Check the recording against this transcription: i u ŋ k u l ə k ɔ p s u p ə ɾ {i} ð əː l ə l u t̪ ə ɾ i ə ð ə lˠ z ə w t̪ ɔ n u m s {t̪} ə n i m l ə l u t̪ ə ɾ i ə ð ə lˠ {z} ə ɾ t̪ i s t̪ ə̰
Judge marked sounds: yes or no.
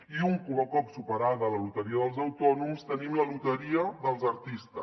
no, yes, yes

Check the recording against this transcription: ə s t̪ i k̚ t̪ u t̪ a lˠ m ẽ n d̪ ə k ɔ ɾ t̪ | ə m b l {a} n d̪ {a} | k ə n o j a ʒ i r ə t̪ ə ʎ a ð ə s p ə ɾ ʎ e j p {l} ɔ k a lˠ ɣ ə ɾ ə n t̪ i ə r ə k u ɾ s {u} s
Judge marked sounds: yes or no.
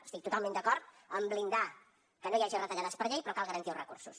no, yes, no, yes

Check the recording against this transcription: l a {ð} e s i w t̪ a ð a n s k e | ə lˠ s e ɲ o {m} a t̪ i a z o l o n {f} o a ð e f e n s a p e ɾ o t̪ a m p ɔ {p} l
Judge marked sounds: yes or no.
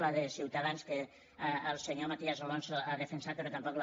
yes, yes, no, no

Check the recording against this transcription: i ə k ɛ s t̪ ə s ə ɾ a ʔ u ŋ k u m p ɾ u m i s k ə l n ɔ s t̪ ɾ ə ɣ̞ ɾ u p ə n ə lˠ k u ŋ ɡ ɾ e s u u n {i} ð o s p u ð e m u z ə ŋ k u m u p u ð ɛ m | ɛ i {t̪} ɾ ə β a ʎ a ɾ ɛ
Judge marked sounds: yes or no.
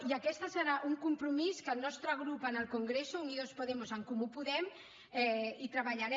yes, yes

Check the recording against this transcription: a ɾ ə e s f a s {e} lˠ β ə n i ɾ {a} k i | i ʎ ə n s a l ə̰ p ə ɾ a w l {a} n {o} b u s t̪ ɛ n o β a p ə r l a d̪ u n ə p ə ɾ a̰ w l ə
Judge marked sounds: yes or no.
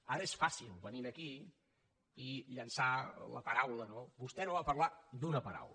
no, no, no, yes

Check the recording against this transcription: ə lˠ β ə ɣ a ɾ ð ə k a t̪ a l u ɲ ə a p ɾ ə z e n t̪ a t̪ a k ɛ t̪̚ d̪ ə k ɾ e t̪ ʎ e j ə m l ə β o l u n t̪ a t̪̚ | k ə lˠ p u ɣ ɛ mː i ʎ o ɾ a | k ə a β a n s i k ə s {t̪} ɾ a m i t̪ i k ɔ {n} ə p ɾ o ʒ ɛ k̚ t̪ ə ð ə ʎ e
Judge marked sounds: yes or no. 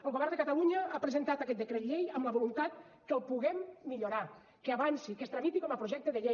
yes, no

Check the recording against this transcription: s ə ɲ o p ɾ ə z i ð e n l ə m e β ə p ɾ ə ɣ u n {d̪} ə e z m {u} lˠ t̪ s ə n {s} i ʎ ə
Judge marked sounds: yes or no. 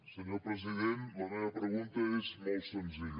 no, no, no

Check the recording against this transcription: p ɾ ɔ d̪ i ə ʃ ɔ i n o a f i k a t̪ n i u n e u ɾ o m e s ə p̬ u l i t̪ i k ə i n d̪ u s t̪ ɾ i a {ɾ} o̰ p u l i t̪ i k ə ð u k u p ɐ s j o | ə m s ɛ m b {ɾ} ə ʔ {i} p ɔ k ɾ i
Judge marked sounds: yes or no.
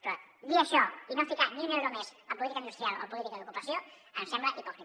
no, no, yes

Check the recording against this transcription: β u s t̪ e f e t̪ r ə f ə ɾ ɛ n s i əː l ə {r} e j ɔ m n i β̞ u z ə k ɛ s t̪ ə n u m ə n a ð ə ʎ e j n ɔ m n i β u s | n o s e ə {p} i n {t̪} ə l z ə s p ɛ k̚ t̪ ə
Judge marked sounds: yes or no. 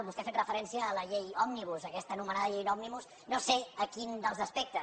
no, no, no

